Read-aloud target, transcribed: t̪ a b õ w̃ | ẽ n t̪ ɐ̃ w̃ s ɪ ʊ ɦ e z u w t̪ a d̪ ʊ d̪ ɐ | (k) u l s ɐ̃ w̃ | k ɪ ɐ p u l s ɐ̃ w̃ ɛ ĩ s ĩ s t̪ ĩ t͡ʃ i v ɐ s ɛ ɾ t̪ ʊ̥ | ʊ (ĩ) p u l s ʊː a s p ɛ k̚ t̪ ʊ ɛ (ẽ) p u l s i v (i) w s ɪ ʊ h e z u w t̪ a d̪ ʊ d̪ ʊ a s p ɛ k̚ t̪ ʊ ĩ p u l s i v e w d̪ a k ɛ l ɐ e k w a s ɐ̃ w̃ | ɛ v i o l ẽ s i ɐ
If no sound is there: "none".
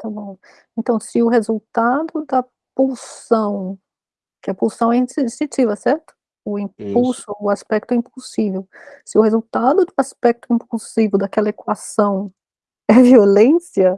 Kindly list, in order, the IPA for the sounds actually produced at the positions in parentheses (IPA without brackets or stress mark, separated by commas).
p, ĩ, ĩ, e